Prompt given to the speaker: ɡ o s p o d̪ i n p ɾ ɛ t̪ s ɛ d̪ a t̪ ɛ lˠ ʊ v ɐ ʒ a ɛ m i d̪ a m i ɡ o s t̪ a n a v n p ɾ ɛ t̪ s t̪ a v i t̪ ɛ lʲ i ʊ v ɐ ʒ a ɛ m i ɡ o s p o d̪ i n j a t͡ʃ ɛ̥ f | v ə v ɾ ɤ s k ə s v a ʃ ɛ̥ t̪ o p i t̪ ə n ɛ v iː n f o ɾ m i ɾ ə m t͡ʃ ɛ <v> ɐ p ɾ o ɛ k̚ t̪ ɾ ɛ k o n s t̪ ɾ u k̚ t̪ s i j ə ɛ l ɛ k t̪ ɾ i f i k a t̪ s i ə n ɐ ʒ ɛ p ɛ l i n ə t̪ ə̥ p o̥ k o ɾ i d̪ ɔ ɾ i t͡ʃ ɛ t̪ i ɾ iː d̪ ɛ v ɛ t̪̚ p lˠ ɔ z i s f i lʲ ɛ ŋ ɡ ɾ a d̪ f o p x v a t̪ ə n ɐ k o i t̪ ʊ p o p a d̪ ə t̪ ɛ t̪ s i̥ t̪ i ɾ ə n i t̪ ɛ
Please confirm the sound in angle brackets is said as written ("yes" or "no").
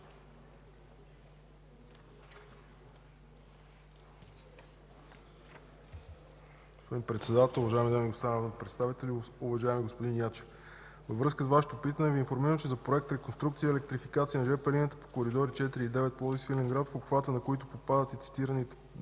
no